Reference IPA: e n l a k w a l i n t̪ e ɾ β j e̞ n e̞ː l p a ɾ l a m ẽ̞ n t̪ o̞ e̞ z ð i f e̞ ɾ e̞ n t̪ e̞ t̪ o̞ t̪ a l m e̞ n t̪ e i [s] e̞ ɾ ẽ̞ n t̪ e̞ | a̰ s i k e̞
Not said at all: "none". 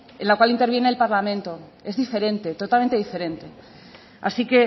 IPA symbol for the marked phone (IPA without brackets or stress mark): f